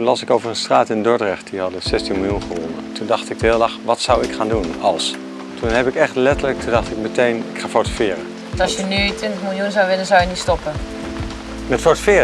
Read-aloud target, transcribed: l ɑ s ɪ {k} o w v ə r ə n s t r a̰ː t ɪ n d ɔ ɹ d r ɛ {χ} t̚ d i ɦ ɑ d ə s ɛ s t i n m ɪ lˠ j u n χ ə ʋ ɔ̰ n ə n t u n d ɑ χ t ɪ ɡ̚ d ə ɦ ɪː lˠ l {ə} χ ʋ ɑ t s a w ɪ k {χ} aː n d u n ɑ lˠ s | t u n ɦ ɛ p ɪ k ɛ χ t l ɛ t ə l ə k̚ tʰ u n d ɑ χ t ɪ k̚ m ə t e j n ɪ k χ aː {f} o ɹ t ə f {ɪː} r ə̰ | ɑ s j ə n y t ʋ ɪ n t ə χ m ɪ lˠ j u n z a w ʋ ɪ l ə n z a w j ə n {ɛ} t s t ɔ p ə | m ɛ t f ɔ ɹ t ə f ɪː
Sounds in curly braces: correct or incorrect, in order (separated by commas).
correct, correct, incorrect, correct, correct, correct, incorrect